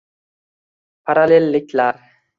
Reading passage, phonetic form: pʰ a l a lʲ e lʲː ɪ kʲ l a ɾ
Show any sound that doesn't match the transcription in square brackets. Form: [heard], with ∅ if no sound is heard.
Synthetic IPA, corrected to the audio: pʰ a [ɾ] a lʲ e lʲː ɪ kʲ l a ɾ